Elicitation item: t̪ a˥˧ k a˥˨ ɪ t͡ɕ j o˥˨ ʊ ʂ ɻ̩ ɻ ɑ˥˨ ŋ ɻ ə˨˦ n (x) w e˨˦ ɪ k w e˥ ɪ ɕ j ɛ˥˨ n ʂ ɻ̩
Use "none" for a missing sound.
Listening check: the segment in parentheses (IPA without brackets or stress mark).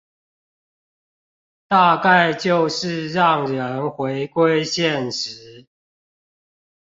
x